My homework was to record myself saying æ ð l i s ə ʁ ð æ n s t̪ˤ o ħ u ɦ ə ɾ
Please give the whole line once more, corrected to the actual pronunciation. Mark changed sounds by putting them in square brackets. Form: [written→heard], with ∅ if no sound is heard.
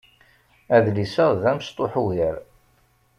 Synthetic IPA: æ ð l i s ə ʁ ð æ [n→m] s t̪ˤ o ħ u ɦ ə ɾ